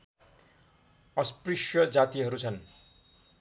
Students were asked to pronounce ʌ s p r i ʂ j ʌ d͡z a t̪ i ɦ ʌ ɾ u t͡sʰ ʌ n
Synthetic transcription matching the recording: ʌ s p r i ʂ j ʌ d͡z a t̪ i ɦ ʌ ɾ u t͡sʰ ʌ n